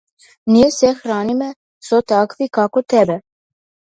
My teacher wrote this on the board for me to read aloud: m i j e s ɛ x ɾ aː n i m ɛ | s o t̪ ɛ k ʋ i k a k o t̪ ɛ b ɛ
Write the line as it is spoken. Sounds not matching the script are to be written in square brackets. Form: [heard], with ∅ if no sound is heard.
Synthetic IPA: [n] i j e s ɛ x ɾ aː n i m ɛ | s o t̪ [a] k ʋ i k a k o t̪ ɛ b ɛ